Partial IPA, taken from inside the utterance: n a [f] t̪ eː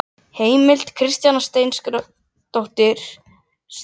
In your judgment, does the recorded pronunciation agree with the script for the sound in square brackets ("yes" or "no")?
no